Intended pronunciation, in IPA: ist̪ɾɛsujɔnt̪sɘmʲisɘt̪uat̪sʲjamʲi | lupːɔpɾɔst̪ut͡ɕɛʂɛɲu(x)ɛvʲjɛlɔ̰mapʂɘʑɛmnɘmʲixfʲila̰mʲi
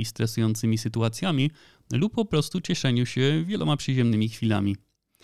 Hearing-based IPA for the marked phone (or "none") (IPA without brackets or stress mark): ɕ